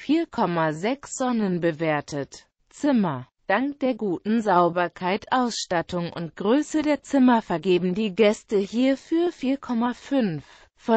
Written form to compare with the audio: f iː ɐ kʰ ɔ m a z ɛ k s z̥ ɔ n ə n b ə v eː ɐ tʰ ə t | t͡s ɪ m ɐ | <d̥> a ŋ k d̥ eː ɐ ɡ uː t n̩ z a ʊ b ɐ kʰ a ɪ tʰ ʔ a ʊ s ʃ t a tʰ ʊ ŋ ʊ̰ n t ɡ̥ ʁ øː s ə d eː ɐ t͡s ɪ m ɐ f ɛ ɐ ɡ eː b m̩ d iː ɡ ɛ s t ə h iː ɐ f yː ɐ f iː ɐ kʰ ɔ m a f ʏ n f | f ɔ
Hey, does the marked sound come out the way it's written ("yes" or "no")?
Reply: yes